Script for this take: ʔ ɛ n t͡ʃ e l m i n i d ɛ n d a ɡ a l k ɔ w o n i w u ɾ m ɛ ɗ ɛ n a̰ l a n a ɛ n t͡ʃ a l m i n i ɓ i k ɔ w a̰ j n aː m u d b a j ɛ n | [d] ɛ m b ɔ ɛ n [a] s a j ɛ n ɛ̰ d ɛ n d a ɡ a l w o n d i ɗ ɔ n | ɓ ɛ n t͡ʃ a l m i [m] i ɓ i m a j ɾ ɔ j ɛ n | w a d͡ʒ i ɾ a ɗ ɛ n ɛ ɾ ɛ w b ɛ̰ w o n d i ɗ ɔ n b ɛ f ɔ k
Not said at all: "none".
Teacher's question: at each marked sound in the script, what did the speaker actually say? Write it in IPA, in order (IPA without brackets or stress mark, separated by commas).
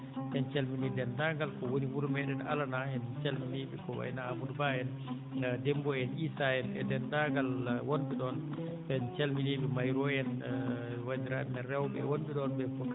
d, i, n